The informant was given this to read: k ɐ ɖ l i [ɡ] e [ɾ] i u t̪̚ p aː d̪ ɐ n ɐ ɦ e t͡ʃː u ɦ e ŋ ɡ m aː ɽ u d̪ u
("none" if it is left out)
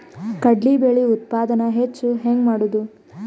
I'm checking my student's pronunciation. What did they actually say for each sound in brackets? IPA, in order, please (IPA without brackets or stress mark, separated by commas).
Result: b, ɭ